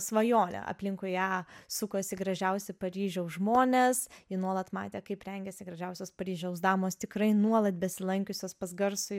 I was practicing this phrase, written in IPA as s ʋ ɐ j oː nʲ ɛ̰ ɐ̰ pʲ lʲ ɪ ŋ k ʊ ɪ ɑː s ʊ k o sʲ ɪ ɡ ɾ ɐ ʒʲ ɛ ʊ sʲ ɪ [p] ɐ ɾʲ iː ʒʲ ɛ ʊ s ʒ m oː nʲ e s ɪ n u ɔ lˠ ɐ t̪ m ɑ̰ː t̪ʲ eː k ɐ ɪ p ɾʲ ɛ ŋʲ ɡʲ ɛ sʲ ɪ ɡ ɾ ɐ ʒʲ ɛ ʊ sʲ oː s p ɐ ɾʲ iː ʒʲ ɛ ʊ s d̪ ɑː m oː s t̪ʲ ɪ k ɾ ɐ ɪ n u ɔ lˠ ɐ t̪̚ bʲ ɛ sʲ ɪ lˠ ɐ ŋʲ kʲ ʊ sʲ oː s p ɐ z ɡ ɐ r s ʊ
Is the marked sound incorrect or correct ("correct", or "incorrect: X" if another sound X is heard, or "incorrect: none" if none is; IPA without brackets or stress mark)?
correct